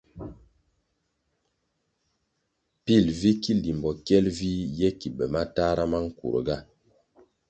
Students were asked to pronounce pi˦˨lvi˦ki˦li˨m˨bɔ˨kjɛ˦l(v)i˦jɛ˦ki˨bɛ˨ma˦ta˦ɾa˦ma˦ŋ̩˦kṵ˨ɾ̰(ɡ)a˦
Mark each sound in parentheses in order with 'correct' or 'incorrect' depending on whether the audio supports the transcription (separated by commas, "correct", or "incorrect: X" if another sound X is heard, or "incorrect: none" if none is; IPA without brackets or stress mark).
correct, correct